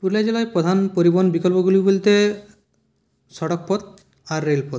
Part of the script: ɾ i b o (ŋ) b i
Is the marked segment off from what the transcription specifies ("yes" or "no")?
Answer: yes